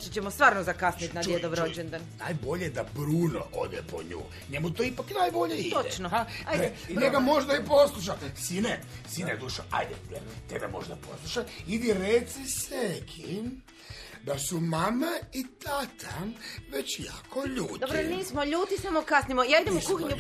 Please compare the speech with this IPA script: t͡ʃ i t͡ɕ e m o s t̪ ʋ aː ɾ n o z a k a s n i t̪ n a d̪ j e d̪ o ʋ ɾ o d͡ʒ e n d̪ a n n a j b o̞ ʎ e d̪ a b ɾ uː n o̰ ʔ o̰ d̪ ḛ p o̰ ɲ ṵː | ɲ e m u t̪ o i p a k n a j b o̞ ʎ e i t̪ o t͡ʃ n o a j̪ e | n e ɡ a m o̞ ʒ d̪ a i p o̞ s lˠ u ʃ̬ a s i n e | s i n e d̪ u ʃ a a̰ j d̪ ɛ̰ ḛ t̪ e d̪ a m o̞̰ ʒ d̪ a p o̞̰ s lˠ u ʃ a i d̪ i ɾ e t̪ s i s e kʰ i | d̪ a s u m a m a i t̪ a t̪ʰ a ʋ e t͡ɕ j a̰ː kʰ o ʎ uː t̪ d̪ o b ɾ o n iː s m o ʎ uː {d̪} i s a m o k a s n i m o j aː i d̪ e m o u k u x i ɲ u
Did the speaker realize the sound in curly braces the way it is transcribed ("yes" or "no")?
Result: no